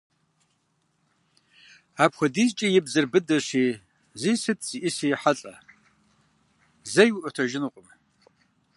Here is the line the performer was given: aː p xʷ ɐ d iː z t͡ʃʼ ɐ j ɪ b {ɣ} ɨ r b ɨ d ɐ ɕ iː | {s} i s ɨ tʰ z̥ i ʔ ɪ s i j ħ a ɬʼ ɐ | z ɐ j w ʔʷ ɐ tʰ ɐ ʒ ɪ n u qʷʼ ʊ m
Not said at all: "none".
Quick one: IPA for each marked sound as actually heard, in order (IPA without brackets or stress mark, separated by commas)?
z, z